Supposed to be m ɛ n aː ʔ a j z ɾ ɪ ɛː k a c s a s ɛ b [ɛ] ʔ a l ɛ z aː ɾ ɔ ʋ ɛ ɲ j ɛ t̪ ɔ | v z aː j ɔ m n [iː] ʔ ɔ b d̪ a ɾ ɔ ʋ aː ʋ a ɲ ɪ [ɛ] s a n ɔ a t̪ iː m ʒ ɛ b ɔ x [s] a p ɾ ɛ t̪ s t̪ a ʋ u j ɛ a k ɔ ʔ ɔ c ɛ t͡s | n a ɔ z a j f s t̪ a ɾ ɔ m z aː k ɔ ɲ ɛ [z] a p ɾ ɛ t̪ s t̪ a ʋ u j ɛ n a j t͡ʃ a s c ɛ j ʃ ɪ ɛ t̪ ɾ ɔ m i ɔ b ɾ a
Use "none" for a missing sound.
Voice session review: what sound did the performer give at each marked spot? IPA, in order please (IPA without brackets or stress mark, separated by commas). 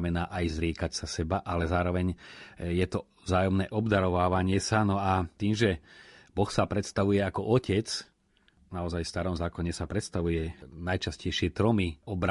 a, ɛː, ɛ, s, s